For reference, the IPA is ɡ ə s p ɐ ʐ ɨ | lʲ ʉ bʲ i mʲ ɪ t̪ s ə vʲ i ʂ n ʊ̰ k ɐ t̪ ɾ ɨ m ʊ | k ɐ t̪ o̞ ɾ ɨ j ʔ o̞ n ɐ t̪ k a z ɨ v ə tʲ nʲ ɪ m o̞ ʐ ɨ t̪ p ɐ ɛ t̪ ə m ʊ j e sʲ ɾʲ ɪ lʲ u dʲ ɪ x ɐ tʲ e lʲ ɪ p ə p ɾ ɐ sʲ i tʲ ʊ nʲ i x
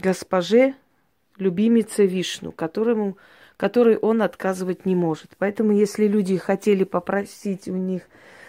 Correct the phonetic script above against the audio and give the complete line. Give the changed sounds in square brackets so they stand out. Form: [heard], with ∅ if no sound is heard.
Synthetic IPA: ɡ ə s p ɐ ʐ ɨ | lʲ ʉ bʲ i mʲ ɪ t̪ s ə vʲ i ʂ n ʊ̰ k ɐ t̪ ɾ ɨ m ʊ | k ɐ t̪ o̞ ɾ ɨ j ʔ o̞ n ɐ t̪ k a z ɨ v ə tʲ nʲ ɪ m o̞ ʐ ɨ t̪ p ɐ ɛ t̪ ə m ʊ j e sʲ [lʲ] ɪ lʲ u dʲ ɪ x ɐ tʲ e lʲ ɪ p ə p ɾ ɐ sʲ i tʲ ʊ nʲ i x